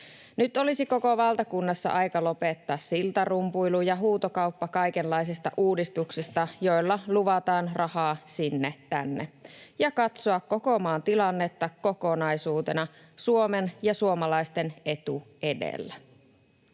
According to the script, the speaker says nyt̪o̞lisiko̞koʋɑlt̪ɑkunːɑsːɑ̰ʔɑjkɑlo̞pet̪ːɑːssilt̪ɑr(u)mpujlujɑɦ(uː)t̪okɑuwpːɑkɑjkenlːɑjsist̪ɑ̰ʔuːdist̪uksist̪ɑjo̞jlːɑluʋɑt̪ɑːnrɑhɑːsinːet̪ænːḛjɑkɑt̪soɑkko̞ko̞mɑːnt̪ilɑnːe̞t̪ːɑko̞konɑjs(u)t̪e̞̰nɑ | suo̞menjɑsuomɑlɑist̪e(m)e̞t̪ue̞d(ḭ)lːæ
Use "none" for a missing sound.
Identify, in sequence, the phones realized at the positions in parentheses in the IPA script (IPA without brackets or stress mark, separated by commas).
u, uː, uː, n, ḛ